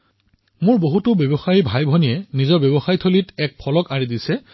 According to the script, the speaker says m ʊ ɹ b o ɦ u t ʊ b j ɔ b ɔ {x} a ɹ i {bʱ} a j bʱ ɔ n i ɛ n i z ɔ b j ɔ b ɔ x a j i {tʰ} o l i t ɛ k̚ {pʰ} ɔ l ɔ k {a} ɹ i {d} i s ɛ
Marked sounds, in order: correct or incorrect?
correct, correct, correct, correct, correct, correct

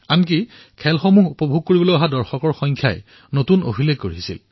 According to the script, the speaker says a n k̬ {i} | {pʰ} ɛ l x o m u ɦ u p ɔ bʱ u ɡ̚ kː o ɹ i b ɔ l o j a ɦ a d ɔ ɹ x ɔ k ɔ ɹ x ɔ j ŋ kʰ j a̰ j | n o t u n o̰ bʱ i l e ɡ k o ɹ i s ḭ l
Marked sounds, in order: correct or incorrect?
correct, incorrect: kʰ

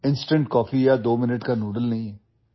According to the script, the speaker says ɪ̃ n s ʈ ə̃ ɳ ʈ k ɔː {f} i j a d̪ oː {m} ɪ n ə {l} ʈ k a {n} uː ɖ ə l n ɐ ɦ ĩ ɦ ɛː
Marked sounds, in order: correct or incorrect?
correct, correct, incorrect: none, correct

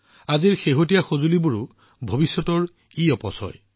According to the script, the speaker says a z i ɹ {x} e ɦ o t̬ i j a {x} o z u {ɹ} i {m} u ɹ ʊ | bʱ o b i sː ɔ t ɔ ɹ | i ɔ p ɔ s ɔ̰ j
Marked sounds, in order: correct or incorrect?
correct, correct, incorrect: l, incorrect: b

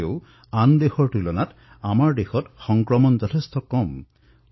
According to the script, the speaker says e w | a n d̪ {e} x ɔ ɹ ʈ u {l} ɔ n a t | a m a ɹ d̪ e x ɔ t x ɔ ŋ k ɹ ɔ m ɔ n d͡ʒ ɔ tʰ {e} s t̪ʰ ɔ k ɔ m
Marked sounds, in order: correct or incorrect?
correct, correct, correct

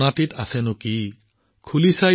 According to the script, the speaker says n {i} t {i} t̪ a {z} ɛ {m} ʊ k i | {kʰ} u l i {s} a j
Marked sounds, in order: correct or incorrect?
incorrect: a, correct, incorrect: s, incorrect: n, correct, correct

